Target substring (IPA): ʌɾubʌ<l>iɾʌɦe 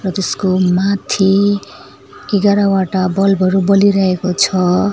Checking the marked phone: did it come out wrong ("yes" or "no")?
no